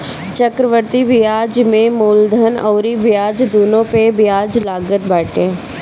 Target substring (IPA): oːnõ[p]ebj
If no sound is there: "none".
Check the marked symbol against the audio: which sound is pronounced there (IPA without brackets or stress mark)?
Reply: p